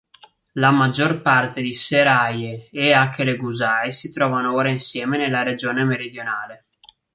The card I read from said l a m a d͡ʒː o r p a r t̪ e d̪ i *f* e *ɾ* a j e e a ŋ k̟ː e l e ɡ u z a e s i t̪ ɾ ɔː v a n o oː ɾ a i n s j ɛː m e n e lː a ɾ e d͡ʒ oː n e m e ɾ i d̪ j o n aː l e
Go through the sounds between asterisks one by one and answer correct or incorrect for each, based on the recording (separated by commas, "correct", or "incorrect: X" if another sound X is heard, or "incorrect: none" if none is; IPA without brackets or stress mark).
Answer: incorrect: s, correct